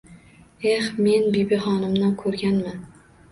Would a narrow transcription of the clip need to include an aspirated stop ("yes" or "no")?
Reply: yes